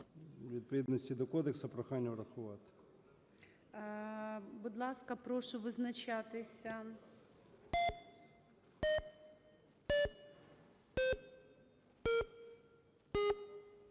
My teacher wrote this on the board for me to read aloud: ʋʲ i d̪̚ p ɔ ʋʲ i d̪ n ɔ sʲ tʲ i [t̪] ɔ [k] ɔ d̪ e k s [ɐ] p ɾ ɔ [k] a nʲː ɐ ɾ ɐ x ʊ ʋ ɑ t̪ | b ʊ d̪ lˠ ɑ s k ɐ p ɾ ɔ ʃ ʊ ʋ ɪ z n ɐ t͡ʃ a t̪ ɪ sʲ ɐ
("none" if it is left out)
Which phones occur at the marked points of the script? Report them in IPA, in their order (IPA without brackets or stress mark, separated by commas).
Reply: d̪, k, ɐ, x